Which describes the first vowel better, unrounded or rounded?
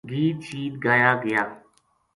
unrounded